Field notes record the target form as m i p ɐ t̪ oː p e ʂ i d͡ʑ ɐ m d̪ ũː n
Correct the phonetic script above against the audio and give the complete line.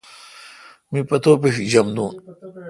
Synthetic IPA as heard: m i p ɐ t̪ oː p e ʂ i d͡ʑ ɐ m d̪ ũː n